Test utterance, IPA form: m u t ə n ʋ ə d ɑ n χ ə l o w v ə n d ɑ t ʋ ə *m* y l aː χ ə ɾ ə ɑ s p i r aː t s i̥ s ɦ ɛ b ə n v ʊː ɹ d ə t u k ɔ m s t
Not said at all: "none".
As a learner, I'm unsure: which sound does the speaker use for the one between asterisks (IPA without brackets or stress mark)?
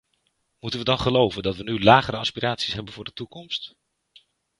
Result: n